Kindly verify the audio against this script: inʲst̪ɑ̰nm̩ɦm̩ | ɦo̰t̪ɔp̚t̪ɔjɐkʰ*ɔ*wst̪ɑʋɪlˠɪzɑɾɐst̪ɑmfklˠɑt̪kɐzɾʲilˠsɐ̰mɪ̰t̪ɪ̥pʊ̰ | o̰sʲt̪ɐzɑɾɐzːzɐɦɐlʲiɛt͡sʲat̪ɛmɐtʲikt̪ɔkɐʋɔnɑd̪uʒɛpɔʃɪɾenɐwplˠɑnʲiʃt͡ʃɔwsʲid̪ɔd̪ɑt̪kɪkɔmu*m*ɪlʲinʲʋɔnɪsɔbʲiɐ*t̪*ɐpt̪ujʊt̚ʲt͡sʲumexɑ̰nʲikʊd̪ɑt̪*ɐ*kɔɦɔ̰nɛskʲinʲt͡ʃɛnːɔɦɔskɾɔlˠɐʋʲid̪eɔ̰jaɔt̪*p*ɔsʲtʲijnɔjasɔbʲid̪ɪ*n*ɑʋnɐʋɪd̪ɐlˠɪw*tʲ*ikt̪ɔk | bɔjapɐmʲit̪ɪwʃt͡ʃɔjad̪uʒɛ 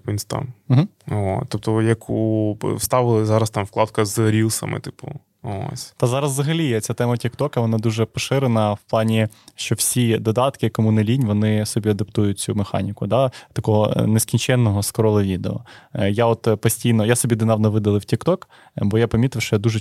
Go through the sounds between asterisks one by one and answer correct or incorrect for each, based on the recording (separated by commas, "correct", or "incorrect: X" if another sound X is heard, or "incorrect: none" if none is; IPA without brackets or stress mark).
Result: incorrect: u, incorrect: n, incorrect: d̪, correct, correct, correct, correct